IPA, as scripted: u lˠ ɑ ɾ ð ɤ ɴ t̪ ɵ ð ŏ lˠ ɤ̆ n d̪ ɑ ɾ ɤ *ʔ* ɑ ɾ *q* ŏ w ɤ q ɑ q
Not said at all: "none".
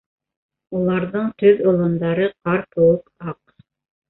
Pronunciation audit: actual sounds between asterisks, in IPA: q, p

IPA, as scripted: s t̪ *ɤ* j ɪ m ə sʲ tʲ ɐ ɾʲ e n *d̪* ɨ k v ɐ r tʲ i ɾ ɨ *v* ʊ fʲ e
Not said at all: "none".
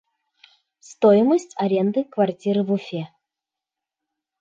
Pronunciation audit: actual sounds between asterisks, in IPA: o, d̪, v

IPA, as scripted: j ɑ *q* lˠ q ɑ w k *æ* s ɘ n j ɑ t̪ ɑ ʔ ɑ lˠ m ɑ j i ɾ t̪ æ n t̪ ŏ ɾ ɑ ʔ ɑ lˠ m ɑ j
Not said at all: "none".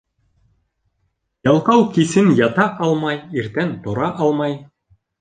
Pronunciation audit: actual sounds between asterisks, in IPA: none, i

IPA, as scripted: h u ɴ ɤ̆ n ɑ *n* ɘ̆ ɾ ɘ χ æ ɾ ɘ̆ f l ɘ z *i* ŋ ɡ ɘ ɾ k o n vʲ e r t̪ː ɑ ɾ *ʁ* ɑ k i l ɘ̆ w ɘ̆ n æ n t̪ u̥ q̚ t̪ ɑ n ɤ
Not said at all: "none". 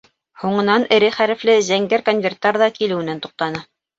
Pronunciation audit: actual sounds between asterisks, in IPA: n, æ, ð

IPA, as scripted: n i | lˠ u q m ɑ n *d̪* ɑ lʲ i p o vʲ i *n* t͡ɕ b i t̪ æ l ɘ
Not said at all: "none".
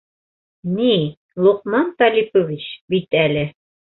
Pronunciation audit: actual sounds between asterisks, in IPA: t̪, none

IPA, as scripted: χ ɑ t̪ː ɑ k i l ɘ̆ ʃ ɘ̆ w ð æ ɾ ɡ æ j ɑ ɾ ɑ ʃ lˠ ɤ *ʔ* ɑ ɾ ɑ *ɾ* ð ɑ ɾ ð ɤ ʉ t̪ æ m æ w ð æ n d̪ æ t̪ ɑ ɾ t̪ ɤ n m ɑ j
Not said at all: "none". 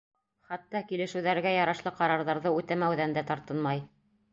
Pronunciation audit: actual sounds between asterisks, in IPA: q, ɾ

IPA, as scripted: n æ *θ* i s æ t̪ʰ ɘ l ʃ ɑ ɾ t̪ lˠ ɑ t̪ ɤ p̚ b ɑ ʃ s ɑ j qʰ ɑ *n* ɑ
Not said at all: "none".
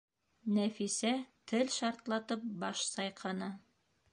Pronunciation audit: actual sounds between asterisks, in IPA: f, n

